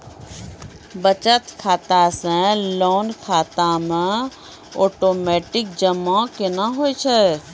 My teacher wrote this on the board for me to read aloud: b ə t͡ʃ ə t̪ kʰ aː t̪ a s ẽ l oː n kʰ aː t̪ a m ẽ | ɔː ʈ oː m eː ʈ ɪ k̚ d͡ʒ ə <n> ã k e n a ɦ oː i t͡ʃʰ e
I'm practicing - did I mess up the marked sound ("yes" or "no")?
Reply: yes